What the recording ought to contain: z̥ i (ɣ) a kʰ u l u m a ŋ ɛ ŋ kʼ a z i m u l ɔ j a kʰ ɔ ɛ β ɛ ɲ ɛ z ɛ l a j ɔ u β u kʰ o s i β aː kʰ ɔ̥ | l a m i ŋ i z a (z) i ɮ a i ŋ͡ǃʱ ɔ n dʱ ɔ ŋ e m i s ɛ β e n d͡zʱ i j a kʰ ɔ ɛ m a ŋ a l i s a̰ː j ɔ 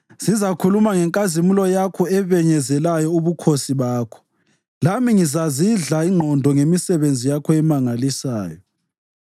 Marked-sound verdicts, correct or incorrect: incorrect, correct

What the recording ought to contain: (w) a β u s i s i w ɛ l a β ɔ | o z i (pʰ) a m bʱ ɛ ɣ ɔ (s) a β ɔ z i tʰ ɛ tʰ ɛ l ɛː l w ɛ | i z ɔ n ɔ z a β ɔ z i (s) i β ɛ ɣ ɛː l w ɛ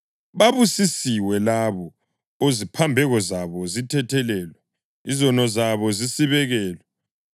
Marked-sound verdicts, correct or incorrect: incorrect, correct, incorrect, correct

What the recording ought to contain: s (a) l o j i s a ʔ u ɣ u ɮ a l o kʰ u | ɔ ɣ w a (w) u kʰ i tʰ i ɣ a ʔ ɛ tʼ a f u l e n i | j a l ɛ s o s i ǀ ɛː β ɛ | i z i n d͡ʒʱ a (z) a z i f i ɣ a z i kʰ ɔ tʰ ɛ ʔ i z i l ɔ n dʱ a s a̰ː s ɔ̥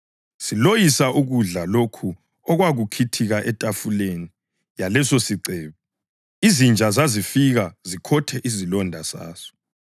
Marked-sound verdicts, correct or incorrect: incorrect, incorrect, correct

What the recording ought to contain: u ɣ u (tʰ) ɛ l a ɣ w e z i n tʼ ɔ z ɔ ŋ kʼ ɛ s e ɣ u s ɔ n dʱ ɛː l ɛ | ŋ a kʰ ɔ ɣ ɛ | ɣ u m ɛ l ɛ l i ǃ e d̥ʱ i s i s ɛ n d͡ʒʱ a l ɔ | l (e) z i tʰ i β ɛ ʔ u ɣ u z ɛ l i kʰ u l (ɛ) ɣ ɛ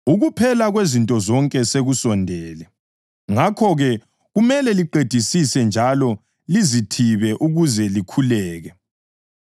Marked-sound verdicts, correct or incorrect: incorrect, incorrect, incorrect

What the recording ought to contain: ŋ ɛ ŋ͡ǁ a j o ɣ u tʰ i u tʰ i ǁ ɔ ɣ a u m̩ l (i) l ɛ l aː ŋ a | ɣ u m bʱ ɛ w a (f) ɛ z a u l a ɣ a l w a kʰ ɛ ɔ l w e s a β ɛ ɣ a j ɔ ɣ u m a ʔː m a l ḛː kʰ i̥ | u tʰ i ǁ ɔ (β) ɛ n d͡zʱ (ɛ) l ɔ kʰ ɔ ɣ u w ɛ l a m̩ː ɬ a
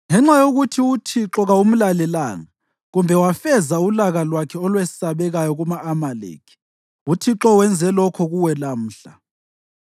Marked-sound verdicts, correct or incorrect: incorrect, correct, incorrect, correct

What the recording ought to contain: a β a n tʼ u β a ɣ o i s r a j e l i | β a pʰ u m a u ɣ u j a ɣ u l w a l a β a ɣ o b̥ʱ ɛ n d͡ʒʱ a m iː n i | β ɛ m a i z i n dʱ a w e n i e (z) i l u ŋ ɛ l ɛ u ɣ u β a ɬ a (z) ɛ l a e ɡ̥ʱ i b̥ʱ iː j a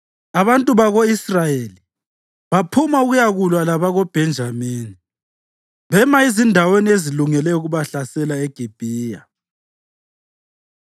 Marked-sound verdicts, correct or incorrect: correct, incorrect

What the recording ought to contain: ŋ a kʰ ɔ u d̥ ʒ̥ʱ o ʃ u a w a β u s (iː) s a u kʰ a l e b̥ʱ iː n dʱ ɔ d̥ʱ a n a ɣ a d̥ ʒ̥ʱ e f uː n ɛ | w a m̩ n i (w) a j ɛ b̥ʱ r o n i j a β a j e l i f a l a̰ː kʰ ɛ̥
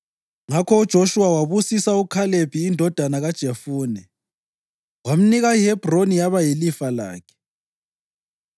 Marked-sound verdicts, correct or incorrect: incorrect, incorrect

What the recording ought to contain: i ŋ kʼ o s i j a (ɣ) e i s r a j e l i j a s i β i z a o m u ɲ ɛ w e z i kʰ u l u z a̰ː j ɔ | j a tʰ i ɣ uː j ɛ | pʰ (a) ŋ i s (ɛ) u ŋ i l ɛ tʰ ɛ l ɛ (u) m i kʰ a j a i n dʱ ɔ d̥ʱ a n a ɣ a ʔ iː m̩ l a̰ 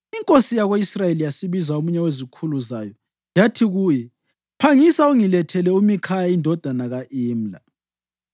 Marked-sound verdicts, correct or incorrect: correct, correct, incorrect, correct

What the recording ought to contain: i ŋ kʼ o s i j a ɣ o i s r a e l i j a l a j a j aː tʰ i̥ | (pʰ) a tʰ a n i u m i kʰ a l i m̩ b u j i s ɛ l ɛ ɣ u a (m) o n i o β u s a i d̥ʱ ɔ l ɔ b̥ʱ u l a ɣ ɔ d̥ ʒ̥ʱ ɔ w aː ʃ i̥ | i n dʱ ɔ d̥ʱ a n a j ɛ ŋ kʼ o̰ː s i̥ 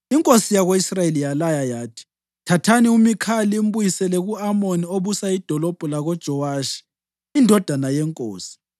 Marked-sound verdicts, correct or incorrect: incorrect, correct

